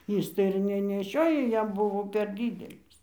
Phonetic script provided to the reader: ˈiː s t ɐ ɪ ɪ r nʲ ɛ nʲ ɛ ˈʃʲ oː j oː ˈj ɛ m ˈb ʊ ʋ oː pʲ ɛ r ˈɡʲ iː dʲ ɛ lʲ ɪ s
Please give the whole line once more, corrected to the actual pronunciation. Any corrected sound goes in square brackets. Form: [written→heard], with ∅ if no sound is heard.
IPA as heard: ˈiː s t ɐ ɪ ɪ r nʲ ɛ nʲ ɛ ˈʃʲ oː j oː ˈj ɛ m ˈb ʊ ʋ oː pʲ ɛ r [ˈɡʲ→ˈdʲ] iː dʲ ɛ lʲ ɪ s